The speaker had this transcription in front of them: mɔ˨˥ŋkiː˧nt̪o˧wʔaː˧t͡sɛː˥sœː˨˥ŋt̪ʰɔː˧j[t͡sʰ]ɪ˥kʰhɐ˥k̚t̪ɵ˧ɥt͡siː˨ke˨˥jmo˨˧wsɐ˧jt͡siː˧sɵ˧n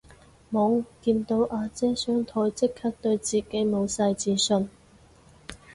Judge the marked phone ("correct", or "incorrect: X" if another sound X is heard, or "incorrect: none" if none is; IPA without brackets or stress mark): incorrect: t͡s